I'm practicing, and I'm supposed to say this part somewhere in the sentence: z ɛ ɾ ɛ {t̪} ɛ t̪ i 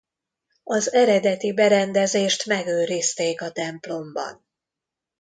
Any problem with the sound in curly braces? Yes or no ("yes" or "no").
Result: yes